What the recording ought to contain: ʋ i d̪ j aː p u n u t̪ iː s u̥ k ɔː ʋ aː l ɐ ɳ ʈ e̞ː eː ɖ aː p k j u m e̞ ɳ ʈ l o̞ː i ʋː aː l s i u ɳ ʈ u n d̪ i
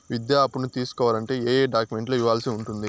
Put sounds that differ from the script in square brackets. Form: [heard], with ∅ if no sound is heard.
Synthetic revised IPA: ʋ i d̪ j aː p u n u t̪ iː s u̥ k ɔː ʋ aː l ɐ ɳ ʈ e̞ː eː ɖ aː [∅] k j u m e̞ ɳ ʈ l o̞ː i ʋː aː l s i u ɳ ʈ u n d̪ i